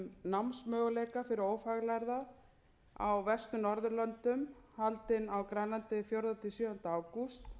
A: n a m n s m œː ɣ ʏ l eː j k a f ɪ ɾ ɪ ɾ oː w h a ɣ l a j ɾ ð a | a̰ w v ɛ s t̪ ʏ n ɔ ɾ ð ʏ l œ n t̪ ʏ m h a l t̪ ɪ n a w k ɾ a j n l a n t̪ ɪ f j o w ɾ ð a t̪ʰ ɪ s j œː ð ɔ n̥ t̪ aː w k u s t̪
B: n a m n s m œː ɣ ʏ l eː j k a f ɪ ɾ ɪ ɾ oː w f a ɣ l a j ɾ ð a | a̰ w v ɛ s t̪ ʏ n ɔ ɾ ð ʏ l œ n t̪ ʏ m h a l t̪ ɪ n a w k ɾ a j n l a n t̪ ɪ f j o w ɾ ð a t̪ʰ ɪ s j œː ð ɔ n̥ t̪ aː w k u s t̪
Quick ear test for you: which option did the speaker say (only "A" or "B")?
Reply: B